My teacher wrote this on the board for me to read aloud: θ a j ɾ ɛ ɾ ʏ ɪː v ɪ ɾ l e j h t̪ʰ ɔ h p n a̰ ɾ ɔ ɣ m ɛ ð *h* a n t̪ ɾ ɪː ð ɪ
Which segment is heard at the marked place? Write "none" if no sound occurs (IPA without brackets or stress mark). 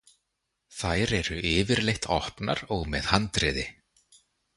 h